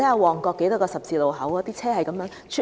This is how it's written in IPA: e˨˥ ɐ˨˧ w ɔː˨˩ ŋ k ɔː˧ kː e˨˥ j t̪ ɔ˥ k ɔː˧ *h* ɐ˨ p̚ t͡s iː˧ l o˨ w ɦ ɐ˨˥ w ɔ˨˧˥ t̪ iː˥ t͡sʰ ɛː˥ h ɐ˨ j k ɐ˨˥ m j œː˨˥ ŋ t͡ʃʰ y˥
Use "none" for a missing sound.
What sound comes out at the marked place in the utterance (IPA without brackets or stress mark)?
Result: s